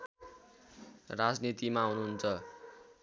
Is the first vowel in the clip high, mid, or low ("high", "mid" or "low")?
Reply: low